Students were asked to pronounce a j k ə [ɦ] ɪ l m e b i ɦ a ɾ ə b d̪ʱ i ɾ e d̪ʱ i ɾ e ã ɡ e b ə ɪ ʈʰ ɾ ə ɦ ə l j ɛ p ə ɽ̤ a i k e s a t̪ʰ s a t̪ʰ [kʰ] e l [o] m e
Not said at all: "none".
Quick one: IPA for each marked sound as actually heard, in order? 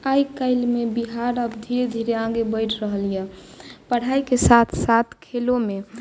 none, kʰ, o

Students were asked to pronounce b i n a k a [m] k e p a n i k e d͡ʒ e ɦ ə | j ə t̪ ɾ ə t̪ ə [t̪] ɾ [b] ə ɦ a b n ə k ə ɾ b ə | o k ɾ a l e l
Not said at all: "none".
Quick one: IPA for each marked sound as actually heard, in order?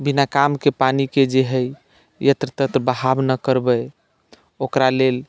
m, t̪, b

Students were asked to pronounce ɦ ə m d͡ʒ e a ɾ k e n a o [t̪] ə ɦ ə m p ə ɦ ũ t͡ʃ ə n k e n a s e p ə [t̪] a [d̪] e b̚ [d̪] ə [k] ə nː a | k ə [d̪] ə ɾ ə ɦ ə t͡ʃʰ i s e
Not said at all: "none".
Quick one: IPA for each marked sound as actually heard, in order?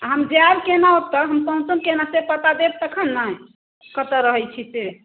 t̪, t̪, d̪, t̪, kʰ, t̪

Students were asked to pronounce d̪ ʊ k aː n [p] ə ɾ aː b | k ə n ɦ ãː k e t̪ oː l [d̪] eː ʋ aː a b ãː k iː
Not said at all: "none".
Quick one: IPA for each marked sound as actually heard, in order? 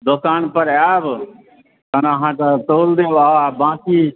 p, d̪

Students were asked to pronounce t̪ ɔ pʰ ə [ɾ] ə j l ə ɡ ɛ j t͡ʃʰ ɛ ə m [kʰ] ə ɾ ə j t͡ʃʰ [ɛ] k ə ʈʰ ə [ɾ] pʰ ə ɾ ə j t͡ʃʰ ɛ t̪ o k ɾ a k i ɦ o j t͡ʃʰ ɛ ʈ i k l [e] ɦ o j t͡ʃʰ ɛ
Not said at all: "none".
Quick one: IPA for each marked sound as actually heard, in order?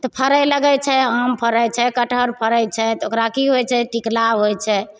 ɾ, pʰ, ɛ, ɾ, a

